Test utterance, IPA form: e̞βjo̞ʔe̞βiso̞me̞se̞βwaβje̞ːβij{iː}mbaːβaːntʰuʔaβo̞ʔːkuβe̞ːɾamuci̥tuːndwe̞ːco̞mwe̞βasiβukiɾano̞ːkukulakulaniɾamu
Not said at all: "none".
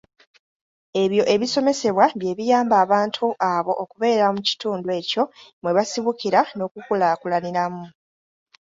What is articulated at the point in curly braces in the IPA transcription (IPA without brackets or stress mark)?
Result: aː